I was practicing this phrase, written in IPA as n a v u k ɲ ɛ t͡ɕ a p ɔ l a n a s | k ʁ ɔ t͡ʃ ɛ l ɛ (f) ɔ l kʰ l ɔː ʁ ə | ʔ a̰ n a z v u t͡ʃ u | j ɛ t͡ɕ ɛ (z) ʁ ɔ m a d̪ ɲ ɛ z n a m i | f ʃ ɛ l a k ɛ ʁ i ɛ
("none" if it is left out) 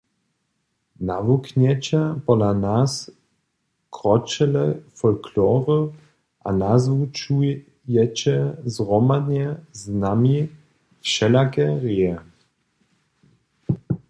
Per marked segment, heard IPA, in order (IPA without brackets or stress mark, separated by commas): f, z